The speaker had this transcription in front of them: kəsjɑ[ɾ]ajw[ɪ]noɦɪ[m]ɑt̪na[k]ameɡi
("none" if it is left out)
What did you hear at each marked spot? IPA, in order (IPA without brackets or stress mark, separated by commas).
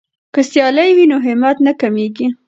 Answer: l, i, m, k